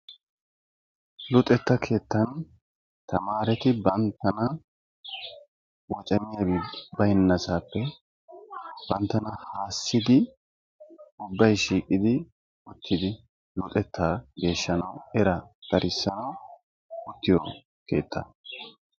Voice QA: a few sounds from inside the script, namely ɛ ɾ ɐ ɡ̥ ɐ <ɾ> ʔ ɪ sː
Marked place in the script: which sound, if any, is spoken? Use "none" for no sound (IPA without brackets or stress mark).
ɾ